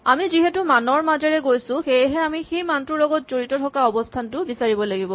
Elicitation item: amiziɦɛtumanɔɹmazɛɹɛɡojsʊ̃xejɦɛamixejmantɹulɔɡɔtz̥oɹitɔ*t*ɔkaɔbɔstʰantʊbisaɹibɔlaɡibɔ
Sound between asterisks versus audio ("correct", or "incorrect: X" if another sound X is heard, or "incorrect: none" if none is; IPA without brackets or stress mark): incorrect: tʰ